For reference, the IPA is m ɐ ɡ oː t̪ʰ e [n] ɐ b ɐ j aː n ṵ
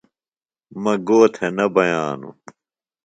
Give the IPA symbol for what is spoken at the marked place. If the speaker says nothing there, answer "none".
n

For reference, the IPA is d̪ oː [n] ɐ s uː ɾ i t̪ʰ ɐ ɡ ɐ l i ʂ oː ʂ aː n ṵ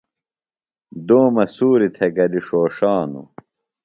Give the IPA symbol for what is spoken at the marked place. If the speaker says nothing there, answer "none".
m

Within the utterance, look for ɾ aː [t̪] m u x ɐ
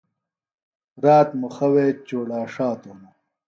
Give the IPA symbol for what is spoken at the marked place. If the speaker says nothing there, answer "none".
t̪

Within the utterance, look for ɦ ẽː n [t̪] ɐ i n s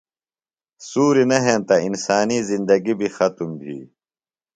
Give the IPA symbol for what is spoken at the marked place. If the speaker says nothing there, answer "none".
t̪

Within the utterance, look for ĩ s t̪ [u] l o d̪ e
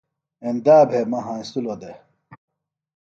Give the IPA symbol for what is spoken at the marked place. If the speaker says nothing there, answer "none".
u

